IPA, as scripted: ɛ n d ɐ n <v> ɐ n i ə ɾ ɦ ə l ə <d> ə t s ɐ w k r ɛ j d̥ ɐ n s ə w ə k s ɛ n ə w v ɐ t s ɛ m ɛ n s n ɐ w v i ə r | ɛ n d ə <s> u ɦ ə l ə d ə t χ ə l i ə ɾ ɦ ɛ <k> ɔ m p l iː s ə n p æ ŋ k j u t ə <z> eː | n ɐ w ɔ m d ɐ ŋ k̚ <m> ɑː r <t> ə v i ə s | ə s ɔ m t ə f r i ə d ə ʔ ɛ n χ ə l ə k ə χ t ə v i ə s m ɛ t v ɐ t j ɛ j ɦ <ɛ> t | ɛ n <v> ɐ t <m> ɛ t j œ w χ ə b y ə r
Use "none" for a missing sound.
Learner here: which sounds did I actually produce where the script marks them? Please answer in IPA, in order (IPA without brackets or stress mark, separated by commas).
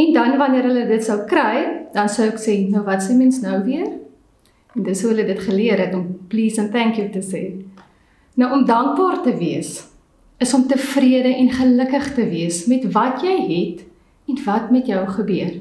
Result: v, d, s, t, s, b, t, ɛ, v, m